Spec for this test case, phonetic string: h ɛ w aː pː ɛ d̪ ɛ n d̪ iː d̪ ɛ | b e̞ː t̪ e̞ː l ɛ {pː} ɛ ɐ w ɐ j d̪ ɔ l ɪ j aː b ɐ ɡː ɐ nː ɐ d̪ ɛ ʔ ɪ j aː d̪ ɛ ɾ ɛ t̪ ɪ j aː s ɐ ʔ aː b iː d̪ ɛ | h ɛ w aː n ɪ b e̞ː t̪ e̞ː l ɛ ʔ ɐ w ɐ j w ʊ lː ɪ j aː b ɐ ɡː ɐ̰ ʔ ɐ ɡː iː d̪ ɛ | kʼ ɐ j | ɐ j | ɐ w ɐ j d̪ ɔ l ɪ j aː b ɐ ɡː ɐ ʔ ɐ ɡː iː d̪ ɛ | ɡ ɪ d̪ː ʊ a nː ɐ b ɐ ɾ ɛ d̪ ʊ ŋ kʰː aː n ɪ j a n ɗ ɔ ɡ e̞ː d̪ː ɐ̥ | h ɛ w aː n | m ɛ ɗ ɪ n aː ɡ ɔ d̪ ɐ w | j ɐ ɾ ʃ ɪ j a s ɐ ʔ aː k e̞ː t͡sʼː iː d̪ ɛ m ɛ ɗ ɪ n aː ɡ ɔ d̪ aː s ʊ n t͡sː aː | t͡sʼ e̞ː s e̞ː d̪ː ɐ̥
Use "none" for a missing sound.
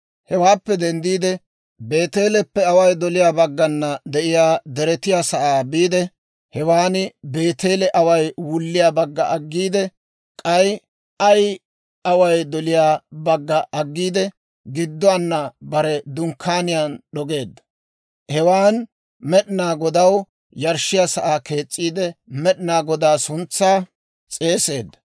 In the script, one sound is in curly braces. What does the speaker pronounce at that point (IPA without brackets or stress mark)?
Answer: pː